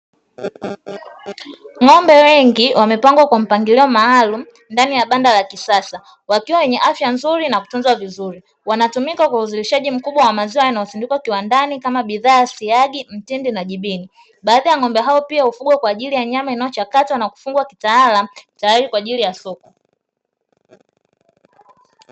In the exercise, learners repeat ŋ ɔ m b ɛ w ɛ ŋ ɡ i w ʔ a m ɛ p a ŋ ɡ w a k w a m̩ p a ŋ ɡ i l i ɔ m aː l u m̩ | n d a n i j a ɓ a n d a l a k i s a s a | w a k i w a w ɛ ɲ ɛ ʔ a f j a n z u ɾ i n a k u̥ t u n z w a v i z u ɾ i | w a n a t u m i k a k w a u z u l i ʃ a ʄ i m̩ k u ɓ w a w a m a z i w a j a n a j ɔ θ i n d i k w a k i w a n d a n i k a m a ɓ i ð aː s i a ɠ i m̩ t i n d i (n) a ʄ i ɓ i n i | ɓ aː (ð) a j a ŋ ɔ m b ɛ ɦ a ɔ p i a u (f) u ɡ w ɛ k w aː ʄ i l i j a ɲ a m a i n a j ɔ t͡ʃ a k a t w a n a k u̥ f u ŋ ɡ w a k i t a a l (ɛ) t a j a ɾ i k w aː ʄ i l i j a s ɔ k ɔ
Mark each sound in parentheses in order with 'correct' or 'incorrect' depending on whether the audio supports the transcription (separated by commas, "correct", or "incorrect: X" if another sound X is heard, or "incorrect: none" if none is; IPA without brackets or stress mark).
correct, correct, correct, incorrect: a